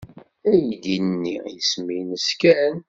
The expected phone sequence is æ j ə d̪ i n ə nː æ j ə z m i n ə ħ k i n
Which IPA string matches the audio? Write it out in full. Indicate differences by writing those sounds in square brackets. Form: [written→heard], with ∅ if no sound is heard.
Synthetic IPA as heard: æ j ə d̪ i n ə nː [æ→i] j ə [z→s] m i n ə [ħ→s] k [i→æ] n